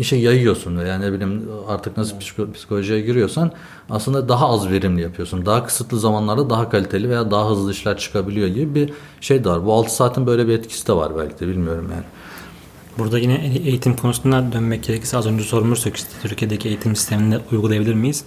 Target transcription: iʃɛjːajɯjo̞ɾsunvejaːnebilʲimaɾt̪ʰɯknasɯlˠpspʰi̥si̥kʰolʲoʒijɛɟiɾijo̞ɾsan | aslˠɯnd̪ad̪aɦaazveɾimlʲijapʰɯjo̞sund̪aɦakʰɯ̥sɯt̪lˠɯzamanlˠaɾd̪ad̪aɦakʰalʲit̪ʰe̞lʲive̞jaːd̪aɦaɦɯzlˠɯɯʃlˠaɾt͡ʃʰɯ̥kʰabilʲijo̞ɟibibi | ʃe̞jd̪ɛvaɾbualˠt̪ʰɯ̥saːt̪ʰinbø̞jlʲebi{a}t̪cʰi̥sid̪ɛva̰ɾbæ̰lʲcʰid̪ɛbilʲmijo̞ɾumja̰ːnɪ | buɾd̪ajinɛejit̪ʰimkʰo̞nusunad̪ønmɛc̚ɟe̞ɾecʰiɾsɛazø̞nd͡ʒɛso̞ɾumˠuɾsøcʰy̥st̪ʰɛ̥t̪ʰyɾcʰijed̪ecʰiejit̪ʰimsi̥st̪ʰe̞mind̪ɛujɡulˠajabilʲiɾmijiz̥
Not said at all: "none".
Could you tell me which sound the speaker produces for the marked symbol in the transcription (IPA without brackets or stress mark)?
ɛ